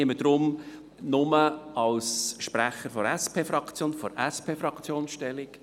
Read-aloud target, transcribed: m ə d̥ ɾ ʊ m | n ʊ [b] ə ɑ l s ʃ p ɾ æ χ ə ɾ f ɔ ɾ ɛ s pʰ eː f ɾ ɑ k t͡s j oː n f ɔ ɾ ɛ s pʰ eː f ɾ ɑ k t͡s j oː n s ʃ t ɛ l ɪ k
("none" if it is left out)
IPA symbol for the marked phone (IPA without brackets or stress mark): m